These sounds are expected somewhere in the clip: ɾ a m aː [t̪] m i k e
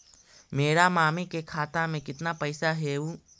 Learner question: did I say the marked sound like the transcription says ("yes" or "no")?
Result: no